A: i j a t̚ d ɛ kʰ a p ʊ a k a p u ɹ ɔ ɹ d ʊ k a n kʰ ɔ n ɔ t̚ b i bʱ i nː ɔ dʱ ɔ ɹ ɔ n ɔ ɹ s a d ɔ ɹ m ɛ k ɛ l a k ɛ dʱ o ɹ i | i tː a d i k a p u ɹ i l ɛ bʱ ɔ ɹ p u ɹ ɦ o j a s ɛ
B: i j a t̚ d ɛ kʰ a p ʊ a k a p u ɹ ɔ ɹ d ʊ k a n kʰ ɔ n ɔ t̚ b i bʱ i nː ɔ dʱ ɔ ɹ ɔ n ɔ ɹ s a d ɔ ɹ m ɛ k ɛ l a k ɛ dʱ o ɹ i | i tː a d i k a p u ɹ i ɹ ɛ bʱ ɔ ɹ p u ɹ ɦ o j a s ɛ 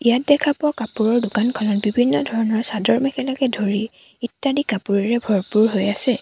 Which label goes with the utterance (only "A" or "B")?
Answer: B